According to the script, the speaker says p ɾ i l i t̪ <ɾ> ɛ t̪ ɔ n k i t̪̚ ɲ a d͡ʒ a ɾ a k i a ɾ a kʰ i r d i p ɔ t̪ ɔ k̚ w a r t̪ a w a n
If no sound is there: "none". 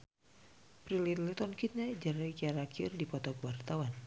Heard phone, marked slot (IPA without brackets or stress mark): l